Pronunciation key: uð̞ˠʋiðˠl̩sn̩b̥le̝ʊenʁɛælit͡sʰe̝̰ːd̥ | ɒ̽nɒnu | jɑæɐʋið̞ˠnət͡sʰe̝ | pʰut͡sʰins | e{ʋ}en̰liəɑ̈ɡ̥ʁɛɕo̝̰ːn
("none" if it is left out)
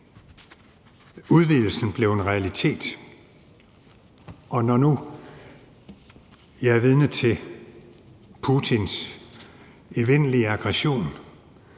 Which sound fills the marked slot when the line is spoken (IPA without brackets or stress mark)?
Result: ʋ